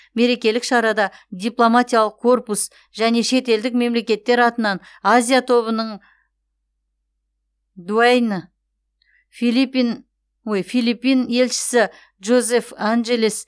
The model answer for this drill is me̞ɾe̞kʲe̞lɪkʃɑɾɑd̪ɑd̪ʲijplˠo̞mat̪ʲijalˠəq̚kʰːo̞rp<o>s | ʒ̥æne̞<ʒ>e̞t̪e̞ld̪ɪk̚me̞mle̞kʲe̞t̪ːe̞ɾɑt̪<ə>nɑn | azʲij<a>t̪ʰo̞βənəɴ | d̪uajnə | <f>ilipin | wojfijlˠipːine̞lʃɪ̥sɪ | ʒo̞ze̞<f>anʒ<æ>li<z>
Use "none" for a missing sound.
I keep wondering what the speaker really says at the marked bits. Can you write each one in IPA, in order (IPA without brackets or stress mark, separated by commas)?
u, ʃ, ə, a, f, f, e, s